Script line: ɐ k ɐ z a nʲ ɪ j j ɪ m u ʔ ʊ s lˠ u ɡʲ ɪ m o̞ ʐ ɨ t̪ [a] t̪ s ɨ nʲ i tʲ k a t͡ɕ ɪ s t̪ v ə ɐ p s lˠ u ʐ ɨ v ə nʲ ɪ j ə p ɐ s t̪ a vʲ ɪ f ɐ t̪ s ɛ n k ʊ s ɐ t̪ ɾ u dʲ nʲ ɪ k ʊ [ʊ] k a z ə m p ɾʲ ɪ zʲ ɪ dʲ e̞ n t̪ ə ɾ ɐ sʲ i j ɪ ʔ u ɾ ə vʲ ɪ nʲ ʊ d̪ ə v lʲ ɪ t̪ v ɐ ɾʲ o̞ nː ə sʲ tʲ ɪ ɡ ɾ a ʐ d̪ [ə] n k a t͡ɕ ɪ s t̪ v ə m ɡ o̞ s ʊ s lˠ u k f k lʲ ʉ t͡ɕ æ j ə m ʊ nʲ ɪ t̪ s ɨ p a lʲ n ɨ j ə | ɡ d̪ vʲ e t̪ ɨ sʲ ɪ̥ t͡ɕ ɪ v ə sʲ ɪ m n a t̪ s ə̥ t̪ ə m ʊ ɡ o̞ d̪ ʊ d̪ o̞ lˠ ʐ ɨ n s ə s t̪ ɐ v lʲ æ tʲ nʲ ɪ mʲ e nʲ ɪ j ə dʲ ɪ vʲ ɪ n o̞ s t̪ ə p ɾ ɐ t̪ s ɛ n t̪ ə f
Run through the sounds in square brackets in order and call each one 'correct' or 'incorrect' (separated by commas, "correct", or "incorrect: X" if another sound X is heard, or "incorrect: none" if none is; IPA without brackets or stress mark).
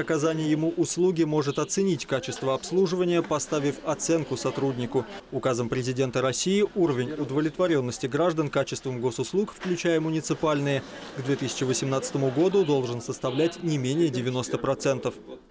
incorrect: ɐ, correct, correct